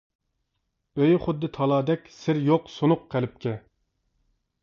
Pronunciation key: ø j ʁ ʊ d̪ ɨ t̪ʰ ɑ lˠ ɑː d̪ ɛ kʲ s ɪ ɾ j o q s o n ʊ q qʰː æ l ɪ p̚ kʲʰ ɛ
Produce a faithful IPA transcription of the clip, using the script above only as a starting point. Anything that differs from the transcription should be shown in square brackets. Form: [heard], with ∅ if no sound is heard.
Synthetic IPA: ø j [χ] ʊ [d̪ː] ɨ t̪ʰ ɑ lˠ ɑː d̪ ɛ kʲ s ɪ ɾ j o q s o n ʊ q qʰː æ l ɪ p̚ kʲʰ ɛ